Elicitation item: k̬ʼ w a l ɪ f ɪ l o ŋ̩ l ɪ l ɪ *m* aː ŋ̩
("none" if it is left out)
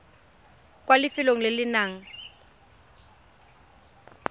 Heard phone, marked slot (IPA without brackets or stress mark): n